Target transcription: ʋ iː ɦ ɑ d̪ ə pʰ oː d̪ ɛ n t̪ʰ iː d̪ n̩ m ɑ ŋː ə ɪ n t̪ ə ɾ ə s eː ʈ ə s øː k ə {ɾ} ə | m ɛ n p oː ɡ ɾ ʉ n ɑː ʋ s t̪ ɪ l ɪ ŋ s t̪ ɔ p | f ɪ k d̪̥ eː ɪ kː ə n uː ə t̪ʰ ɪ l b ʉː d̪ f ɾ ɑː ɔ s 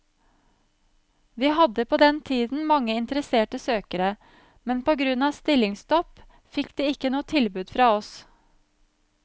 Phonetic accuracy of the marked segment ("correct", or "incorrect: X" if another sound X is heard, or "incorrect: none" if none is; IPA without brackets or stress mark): correct